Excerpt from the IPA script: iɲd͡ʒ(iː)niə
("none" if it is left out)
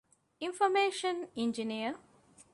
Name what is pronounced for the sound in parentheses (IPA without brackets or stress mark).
i